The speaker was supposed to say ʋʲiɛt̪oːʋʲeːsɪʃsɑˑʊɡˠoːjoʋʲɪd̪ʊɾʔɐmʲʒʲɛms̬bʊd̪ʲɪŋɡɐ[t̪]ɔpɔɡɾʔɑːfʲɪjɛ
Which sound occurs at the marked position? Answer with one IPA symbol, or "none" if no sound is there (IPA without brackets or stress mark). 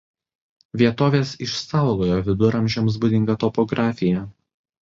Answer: t̪